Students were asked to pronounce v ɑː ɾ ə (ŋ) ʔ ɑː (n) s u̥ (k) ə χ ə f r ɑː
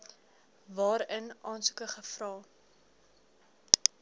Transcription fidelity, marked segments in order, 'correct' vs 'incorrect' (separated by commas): incorrect, correct, correct